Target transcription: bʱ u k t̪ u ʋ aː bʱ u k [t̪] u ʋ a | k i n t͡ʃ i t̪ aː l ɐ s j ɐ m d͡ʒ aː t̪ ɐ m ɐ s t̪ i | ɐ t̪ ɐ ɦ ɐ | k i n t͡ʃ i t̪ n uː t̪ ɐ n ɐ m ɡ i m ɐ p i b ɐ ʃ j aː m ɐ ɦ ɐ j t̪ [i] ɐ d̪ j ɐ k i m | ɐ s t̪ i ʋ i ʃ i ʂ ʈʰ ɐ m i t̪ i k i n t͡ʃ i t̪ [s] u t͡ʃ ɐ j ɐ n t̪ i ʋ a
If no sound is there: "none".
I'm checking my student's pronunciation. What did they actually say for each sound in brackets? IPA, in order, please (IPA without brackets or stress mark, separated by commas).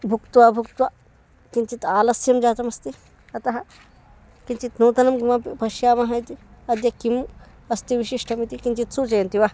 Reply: t̪, i, s